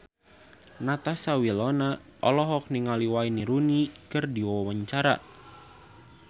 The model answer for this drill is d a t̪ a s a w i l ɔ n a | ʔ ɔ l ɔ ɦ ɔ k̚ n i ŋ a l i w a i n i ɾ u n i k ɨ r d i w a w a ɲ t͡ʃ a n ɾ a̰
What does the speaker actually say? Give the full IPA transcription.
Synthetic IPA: n a t̪ a s a w i l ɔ n a | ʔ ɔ l ɔ ɦ ɔ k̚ n i ŋ a l i w a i n i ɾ u n i k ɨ r d i w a w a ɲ t͡ʃ a ɾ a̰